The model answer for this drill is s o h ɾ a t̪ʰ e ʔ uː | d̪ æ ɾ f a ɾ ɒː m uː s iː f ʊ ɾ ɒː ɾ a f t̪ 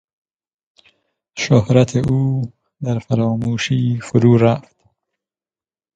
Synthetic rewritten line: ʃ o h ɾ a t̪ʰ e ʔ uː | d̪ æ ɾ f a ɾ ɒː m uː ʃ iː f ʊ ɾ uː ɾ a f t̪